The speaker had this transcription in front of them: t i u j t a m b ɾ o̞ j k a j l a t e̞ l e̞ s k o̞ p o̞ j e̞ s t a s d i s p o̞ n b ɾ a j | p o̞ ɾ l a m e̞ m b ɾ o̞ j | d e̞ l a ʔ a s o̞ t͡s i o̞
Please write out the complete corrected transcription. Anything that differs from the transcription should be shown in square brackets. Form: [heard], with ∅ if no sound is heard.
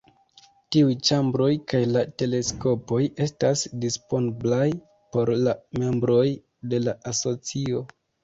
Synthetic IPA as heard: t i u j [t͡ʃ] a m b ɾ o̞ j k a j l a t e̞ l e̞ s k o̞ p o̞ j e̞ s t a s d i s p o̞ n b [l] a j | p o̞ ɾ l a m e̞ m b ɾ o̞ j | d e̞ l a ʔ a s o̞ t͡s i o̞

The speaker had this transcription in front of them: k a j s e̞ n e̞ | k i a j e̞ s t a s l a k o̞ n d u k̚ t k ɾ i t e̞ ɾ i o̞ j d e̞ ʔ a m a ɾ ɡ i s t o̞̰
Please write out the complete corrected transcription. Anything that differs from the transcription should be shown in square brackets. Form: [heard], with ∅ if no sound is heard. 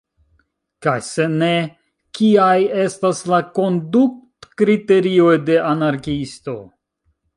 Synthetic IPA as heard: k a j s e̞ n e̞ | k i a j e̞ s t a s l a k o̞ n d u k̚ t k ɾ i t e̞ ɾ i o̞ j d e̞ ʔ a [n] a ɾ [k] i s t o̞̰

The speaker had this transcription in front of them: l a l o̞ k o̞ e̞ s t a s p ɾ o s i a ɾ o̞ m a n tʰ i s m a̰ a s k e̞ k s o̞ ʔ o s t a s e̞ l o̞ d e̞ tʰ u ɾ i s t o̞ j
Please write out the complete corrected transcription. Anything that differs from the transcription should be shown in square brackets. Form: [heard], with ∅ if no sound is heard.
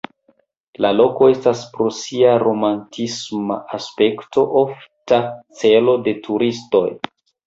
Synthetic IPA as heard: l a l o̞ k o̞ e̞ s t a s p ɾ o s i a ɾ o̞ m a n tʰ i s m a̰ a s [p] e̞ k [t] o̞ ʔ o [f] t a [t͡s] e̞ l o̞ d e̞ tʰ u ɾ i s t o̞ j

